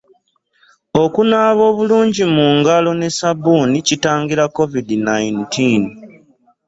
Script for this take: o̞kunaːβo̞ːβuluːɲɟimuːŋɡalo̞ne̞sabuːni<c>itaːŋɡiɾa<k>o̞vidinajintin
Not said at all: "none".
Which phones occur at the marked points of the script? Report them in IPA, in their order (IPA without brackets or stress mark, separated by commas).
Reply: c, k